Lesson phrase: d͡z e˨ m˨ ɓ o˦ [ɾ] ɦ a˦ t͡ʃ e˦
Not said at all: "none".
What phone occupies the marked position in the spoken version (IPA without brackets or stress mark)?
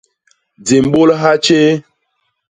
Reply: l